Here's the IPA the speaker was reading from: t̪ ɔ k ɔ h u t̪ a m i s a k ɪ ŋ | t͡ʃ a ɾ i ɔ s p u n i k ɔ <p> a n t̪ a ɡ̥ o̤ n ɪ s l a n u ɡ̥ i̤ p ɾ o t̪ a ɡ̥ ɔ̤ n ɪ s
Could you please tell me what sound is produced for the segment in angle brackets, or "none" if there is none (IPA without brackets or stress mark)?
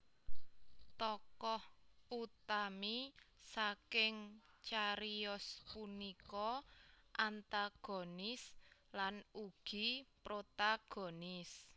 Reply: ʔ